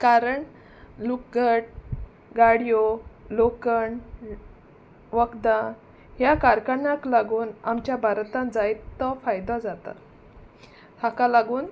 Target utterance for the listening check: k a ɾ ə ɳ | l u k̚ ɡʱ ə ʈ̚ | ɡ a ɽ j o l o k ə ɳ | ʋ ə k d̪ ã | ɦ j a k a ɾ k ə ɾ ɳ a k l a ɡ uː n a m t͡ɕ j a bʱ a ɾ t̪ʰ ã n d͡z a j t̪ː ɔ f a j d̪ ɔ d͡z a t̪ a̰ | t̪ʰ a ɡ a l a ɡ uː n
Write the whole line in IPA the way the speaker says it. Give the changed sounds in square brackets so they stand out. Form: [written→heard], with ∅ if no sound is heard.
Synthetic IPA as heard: k a ɾ ə ɳ | l u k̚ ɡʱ ə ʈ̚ | ɡ a ɽ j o l o k ə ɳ | ʋ ə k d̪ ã | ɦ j a k a ɾ k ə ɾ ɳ a k l a ɡ uː n a m t͡ɕ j a bʱ a ɾ [t̪ʰ→t̪] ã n d͡z a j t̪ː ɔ f a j d̪ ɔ d͡z a t̪ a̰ | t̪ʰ a [ɡ→k] a l a ɡ uː n